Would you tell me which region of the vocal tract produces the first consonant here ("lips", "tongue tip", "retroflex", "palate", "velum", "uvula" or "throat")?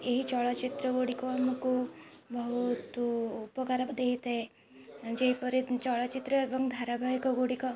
throat